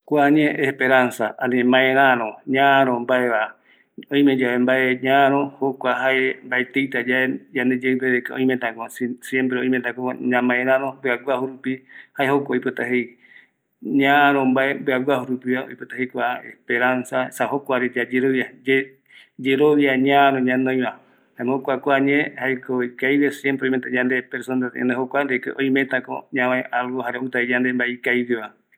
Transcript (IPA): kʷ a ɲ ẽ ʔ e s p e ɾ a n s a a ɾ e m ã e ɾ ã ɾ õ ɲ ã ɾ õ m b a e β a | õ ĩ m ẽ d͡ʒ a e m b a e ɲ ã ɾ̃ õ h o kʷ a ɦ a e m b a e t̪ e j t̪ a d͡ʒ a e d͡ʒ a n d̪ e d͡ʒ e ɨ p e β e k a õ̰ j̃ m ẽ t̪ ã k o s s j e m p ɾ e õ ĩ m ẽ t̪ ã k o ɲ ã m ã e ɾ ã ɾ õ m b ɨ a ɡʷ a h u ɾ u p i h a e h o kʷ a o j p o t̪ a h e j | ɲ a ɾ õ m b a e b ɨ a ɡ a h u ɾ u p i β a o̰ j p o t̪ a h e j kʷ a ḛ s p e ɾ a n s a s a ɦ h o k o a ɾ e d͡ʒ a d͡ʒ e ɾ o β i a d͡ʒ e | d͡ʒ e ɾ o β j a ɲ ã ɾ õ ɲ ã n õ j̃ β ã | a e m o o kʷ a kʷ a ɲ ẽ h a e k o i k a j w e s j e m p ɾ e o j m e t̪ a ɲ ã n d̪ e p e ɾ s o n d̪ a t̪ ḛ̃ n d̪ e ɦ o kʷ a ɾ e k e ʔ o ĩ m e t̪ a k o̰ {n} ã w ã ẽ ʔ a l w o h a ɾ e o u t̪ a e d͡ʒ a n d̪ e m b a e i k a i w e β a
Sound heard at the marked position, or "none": ɲ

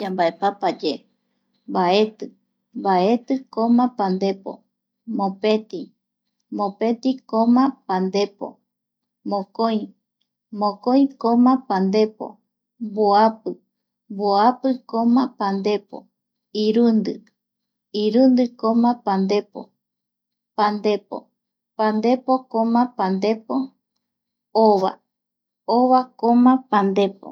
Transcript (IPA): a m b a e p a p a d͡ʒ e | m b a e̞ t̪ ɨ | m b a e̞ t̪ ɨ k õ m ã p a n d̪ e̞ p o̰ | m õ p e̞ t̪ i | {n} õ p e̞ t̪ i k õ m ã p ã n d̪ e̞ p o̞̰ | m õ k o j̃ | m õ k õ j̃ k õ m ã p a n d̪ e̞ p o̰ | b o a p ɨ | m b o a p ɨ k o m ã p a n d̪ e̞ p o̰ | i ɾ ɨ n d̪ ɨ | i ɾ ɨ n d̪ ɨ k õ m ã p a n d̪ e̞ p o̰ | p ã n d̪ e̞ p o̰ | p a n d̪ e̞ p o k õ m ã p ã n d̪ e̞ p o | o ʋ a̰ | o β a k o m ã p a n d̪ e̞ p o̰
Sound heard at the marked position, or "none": m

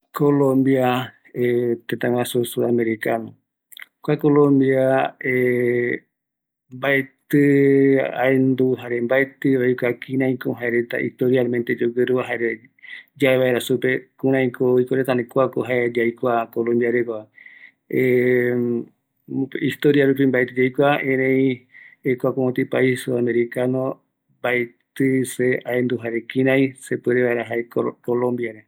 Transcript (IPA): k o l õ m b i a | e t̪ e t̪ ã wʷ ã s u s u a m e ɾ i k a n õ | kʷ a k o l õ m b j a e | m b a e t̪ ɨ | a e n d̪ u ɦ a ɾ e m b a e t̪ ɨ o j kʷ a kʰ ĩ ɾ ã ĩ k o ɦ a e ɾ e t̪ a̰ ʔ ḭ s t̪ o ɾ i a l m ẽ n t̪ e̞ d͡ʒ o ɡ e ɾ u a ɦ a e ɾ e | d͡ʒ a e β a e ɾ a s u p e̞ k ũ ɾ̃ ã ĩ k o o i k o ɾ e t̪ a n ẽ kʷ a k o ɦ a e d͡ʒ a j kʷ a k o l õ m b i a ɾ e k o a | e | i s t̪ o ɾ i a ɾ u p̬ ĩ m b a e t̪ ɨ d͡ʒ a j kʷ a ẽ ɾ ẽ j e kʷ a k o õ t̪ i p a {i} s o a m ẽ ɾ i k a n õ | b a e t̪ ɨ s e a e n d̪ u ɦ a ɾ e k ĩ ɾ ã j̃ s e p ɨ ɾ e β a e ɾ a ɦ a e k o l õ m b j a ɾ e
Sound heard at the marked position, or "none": i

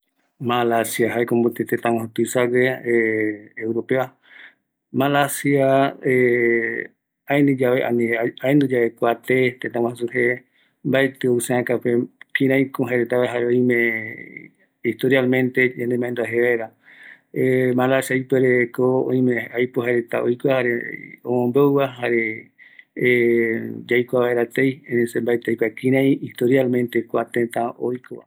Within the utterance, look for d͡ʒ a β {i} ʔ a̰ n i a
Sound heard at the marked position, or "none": e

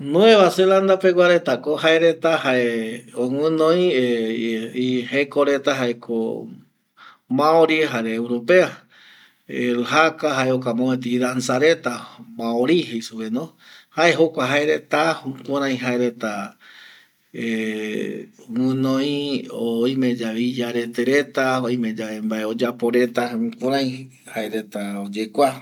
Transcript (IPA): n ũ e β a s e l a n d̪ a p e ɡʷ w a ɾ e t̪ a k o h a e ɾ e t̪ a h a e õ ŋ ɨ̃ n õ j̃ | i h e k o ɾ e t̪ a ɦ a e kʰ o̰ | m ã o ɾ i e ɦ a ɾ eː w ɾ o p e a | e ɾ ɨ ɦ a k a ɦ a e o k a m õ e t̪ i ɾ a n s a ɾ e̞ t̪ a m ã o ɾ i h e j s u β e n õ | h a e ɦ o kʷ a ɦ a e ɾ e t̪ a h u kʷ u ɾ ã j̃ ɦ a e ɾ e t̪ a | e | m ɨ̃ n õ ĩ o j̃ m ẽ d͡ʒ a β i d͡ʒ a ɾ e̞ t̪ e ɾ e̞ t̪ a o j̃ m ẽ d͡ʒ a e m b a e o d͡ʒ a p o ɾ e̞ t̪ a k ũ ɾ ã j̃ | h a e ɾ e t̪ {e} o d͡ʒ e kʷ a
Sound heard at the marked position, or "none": a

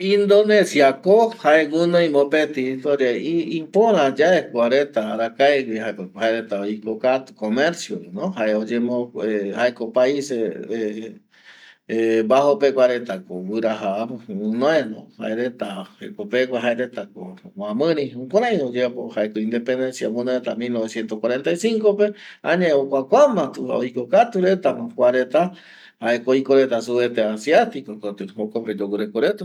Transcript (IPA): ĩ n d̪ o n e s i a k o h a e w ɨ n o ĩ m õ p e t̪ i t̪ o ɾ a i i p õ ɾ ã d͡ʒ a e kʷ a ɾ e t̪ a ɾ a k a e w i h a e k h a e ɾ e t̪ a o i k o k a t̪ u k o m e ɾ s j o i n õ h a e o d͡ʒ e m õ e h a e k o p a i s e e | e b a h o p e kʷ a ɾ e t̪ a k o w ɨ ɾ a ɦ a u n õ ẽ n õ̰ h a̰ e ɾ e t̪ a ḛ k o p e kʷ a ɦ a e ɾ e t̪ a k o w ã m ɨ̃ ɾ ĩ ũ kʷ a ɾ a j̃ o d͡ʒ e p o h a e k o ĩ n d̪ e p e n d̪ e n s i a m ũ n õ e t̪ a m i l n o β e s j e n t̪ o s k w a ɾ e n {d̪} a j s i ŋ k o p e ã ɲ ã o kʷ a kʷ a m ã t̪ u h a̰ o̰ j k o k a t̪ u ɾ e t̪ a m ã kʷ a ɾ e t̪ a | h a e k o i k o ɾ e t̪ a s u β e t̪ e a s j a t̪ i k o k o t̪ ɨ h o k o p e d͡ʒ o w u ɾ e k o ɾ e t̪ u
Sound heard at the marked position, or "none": t̪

